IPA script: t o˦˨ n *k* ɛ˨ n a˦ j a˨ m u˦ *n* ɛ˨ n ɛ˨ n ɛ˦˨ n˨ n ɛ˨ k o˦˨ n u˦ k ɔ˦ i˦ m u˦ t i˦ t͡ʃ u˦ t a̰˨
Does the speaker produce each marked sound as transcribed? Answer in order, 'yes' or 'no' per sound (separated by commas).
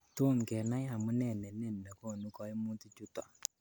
yes, yes